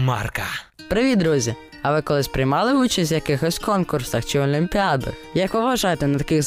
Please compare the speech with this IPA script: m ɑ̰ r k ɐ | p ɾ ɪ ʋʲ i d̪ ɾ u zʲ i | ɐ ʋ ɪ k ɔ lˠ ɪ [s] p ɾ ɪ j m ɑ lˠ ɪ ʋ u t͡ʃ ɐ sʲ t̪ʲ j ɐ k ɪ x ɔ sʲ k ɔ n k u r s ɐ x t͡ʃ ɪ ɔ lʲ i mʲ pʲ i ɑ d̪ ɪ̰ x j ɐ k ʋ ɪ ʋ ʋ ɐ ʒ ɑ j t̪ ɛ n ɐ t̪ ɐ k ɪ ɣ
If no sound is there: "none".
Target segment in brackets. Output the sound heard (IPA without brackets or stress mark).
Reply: s